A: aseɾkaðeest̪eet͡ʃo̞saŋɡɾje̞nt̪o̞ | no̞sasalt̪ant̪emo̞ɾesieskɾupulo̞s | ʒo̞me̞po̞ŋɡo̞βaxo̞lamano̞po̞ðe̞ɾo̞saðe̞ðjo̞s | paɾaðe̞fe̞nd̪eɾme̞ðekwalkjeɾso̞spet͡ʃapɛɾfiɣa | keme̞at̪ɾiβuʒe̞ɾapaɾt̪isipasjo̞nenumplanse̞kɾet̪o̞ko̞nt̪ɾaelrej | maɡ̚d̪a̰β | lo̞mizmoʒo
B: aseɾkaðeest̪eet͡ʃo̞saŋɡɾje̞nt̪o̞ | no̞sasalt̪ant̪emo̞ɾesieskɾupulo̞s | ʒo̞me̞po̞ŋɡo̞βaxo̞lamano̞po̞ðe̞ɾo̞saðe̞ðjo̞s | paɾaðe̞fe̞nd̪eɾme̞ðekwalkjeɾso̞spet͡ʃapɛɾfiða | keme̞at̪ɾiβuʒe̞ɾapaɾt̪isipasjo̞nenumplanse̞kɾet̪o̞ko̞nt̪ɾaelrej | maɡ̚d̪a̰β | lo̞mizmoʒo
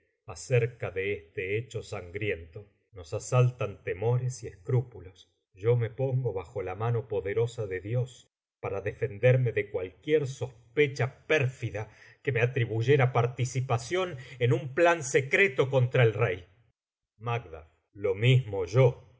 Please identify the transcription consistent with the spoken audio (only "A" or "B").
B